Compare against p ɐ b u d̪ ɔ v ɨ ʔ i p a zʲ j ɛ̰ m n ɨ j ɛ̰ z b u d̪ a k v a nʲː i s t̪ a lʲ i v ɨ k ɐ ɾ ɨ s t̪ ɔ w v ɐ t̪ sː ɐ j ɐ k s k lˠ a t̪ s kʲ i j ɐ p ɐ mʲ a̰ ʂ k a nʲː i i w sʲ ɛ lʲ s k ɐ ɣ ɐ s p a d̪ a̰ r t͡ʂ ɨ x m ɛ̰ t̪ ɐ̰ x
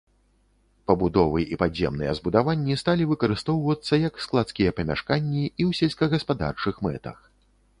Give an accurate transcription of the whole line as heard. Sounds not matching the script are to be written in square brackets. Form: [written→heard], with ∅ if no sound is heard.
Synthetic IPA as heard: p ɐ b u d̪ ɔ v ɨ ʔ i p a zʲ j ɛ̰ m n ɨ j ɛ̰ z b u d̪ a [k→∅] v a nʲː i s t̪ a lʲ i v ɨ k ɐ ɾ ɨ s t̪ ɔ w v ɐ t̪ sː ɐ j ɐ k s k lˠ a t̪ s kʲ i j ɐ p ɐ mʲ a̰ ʂ k a nʲː i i w sʲ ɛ lʲ s k ɐ ɣ ɐ s p a d̪ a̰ r t͡ʂ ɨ x m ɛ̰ t̪ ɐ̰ x